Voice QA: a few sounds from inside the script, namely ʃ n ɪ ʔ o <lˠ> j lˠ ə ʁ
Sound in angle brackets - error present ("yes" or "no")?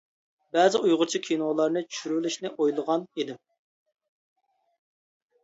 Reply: yes